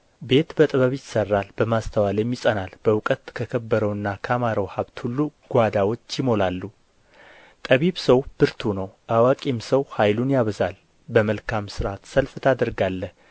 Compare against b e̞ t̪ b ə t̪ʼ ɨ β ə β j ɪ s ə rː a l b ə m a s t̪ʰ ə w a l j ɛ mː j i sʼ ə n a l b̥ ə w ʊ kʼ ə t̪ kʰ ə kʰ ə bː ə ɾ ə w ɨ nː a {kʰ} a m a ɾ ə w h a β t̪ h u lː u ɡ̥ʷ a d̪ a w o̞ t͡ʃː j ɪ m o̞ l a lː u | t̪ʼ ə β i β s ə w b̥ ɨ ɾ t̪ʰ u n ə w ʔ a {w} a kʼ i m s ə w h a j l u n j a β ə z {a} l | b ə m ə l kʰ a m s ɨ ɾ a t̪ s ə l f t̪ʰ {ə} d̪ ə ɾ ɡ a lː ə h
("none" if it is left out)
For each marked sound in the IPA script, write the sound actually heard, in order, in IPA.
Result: kʰ, w, a, a

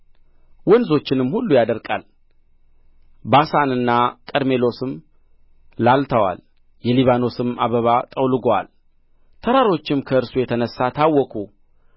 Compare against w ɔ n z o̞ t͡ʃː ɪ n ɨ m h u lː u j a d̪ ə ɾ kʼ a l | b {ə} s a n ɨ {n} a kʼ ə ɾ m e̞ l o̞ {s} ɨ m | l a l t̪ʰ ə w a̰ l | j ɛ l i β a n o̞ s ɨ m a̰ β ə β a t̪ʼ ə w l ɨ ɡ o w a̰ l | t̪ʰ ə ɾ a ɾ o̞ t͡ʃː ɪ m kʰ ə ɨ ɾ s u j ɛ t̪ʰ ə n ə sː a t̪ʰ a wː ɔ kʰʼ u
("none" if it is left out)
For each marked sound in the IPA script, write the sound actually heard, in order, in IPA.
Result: a, nː, s

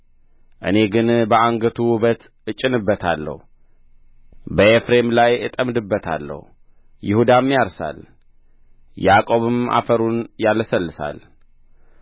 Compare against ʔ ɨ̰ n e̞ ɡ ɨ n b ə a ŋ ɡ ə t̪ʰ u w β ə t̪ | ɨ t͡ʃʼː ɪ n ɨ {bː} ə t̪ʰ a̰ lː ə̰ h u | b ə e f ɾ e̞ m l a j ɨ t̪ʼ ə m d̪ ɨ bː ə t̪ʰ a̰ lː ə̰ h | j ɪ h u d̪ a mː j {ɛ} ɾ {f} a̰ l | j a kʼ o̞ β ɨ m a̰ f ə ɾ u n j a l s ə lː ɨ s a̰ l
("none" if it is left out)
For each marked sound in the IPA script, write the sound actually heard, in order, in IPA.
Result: bː, a, s

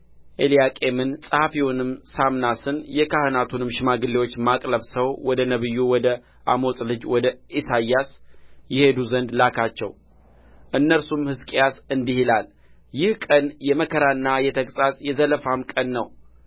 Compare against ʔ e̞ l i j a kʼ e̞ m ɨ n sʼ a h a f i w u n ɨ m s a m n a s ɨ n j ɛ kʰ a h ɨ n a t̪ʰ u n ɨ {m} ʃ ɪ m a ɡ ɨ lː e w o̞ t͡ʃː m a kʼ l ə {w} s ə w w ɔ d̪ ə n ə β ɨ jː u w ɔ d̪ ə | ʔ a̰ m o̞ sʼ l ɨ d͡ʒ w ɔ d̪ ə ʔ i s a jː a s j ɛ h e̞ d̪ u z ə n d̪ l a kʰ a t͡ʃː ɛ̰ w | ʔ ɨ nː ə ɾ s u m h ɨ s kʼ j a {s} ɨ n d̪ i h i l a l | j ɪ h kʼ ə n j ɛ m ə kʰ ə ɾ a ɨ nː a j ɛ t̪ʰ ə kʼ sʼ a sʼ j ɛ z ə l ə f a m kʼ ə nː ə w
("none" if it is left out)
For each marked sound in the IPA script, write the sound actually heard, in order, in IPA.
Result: m, β, s

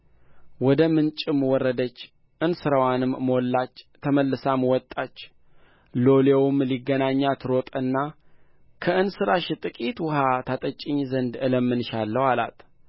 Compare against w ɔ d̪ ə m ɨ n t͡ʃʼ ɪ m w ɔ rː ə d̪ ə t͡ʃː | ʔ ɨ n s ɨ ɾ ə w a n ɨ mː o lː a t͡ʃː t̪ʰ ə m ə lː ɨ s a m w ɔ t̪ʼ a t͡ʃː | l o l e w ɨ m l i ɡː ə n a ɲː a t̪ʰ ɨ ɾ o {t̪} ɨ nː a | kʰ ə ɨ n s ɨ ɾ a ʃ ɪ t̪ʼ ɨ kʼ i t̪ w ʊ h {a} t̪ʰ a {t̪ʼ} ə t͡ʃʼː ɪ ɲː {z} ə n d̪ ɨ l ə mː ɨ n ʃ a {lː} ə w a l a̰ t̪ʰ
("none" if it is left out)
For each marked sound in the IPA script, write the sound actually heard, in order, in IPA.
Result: t̪ʼ, a, t̪ʼ, z, lː

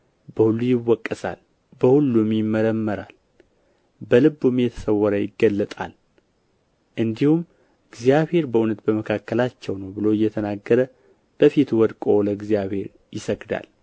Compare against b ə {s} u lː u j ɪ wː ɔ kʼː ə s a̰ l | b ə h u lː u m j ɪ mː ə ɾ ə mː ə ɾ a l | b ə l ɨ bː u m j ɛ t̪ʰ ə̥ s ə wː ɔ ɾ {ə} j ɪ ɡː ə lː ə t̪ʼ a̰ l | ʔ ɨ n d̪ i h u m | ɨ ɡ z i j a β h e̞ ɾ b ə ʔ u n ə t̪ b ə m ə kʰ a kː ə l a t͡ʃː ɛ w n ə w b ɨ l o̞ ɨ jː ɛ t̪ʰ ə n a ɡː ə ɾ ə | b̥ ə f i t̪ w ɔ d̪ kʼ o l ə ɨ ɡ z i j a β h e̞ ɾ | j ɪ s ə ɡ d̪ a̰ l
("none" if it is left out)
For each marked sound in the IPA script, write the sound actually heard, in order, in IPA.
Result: h, ə

